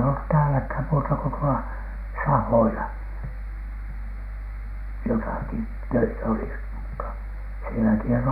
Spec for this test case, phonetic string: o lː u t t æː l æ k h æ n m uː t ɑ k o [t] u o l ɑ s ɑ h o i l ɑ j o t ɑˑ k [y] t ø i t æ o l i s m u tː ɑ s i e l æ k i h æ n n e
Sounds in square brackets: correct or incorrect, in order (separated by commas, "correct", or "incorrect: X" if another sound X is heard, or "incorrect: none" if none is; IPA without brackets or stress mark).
correct, incorrect: i